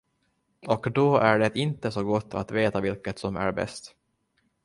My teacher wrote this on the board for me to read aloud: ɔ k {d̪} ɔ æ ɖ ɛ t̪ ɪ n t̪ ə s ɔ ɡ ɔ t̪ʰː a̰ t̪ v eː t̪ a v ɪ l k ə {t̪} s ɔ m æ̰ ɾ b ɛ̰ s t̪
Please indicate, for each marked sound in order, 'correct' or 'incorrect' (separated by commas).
correct, correct